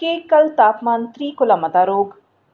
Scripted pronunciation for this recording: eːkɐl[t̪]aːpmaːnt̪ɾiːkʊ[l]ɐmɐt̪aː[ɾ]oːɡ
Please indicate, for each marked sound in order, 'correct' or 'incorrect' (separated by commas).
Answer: correct, correct, correct